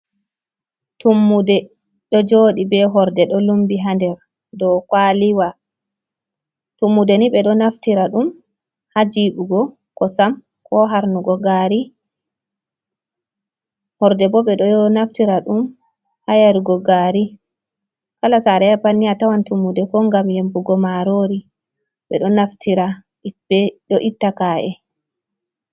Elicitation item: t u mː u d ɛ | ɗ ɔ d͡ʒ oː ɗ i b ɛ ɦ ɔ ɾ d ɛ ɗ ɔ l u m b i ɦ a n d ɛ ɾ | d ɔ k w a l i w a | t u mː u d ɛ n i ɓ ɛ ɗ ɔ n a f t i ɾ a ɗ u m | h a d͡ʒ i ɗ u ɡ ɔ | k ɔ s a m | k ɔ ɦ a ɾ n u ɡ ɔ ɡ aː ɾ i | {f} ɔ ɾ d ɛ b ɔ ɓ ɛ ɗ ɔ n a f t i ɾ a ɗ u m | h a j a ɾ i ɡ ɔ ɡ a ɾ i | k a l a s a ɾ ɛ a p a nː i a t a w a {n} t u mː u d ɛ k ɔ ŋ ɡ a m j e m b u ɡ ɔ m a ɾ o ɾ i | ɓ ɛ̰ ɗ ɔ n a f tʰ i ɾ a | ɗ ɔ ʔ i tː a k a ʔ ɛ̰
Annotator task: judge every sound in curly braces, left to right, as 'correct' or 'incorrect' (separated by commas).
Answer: incorrect, correct